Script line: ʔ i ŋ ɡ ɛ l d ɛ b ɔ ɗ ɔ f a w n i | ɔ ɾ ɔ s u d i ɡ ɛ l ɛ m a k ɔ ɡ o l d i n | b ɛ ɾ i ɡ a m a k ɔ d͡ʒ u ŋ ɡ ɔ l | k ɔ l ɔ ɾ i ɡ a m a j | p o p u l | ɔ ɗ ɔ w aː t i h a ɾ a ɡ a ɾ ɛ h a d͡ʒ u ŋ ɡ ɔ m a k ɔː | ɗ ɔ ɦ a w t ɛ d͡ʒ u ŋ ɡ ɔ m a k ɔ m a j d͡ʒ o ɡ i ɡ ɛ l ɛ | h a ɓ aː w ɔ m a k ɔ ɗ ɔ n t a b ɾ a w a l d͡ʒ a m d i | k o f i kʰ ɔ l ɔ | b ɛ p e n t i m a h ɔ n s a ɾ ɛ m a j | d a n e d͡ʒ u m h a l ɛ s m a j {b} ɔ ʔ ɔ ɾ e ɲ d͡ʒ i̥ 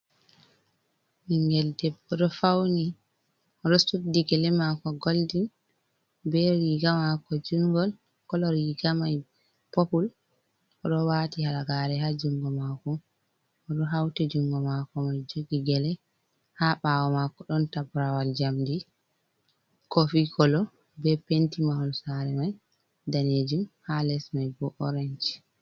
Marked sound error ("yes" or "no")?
no